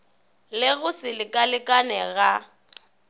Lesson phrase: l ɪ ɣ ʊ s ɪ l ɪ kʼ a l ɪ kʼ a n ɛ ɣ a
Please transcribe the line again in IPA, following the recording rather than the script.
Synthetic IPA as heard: l ɪ ɣ ʊ s ɪ l ɪ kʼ a l ɪ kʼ a n ɛ ɣ a